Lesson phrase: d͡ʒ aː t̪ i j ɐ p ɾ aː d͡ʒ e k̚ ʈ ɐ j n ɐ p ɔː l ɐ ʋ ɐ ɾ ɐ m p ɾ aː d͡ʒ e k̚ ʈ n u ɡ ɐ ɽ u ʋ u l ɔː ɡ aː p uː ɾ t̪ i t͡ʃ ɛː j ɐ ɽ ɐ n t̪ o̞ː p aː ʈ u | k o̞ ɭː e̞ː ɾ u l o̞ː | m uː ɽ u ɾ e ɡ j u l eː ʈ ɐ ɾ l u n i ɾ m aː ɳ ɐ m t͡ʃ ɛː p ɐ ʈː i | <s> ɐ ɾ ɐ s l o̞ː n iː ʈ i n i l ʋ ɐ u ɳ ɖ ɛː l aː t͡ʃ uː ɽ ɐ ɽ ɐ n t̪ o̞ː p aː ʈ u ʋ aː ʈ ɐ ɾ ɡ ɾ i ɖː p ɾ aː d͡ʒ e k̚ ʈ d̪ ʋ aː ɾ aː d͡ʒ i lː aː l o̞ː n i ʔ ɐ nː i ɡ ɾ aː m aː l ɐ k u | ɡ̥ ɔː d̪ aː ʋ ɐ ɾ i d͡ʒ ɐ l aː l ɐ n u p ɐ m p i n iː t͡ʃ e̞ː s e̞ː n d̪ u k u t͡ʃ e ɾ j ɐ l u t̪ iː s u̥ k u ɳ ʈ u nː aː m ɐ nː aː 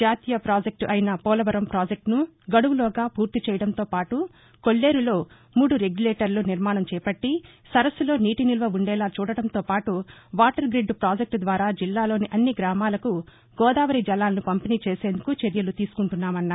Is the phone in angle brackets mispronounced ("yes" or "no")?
no